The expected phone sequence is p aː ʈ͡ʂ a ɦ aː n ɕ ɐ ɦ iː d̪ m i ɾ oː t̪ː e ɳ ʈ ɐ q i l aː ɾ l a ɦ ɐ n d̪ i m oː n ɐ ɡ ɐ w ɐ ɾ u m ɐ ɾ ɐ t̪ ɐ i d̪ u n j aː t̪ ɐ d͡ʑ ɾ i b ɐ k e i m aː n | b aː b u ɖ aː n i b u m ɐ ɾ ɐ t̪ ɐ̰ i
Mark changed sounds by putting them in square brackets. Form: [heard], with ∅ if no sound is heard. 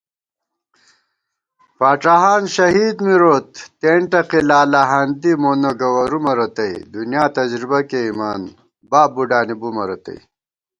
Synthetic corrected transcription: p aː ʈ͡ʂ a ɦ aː n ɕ ɐ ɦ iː d̪ m i ɾ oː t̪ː e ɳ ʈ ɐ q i l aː [∅] l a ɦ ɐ n d̪ i m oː n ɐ ɡ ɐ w ɐ ɾ u m ɐ ɾ ɐ t̪ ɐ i d̪ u n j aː t̪ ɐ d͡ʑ ɾ i b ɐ k e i m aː n | b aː b u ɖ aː n i b u m ɐ ɾ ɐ t̪ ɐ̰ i

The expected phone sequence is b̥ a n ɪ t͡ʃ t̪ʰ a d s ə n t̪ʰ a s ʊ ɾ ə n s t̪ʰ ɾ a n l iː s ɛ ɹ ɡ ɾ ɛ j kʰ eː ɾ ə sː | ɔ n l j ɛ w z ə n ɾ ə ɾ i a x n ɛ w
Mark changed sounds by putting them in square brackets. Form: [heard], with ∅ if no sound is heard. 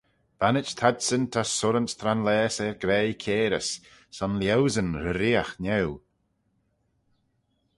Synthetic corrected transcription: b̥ a n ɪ t͡ʃ t̪ʰ a d s ə n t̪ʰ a s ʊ ɾ ə n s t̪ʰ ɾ a n l [ɛː] s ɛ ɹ ɡ ɾ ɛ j kʰ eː ɾ ə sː | ɔ n l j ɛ w z ə n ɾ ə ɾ i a x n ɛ w

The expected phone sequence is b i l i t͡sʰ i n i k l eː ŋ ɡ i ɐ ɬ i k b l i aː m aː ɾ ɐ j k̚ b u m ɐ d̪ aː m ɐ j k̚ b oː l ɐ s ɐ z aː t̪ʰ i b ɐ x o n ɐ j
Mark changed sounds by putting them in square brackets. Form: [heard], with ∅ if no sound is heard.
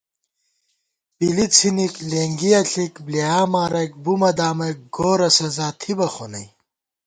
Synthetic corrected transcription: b i l i t͡sʰ i n i k l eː ŋ ɡ i ɐ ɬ i k b l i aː m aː ɾ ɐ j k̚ b u m ɐ d̪ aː m ɐ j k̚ [ɡ] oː [ɾ] ɐ s ɐ z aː t̪ʰ i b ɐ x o n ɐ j

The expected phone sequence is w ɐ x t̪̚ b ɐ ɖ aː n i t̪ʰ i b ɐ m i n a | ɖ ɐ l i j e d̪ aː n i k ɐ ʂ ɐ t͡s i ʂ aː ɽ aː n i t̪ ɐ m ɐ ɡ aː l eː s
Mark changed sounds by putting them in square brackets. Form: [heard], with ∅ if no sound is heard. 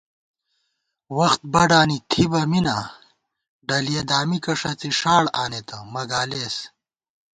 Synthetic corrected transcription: w ɐ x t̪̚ b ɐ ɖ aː n i t̪ʰ i b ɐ m i n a | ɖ ɐ l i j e d̪ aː [m] i k ɐ ʂ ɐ t͡s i ʂ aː ɽ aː n [e] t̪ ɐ m ɐ ɡ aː l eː s

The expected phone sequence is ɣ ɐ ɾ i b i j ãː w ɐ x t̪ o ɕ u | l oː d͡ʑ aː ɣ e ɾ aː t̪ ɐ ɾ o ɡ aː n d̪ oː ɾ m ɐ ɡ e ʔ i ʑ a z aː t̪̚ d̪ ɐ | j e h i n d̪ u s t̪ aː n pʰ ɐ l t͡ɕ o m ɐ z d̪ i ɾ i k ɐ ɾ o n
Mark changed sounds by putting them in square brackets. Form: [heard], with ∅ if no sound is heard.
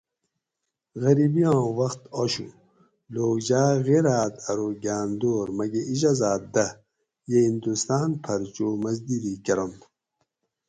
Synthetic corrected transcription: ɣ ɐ ɾ i b i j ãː w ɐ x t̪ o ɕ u | l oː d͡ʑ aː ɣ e ɾ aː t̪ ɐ ɾ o ɡ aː n d̪ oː ɾ m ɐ ɡ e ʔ i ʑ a z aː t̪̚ d̪ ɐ | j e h i n d̪ u s t̪ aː n pʰ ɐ [ɾ] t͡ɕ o m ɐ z d̪ i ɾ i k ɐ ɾ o n

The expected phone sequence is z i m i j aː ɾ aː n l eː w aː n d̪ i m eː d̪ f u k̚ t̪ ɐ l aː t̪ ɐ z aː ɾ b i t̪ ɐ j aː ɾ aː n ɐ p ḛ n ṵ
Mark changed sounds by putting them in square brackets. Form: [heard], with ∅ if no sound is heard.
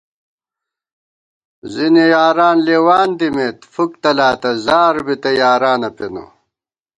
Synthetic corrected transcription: z i [n] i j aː ɾ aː n l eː w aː n d̪ i m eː [t̪] f u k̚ t̪ ɐ l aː t̪ ɐ z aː ɾ b i t̪ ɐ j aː ɾ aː n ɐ p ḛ n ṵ

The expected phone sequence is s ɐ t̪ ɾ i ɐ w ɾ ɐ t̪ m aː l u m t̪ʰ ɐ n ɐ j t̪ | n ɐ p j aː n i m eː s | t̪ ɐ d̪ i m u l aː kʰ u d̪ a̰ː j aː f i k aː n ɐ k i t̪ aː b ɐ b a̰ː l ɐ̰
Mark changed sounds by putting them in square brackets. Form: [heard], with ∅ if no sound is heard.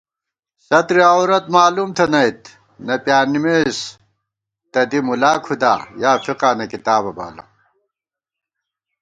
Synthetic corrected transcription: s ɐ t̪ ɾ i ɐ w ɾ ɐ t̪ m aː l u m t̪ʰ ɐ n ɐ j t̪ | n ɐ p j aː n i m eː s | t̪ ɐ d̪ i m u l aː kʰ u d̪ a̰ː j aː f i [q] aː n ɐ k i t̪ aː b ɐ b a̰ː l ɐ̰

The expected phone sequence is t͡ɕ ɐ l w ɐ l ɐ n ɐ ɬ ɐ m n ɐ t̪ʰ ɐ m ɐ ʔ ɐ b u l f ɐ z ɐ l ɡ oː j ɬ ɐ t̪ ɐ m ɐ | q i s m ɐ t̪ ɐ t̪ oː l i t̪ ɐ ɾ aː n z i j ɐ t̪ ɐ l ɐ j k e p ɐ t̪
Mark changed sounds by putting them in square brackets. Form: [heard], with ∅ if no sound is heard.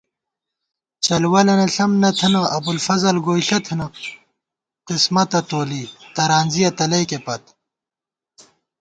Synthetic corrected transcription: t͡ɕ ɐ l w ɐ l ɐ n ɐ ɬ ɐ m n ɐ t̪ʰ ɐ [n] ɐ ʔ ɐ b u l f ɐ z ɐ l ɡ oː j ɬ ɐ [t̪ʰ] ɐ [n] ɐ | q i s m ɐ t̪ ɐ t̪ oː l i t̪ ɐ ɾ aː n z i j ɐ t̪ ɐ l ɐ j k e p ɐ t̪

